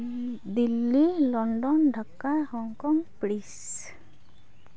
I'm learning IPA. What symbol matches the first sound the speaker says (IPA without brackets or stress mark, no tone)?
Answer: d̪